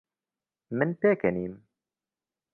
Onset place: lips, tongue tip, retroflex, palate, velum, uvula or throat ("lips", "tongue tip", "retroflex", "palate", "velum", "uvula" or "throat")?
lips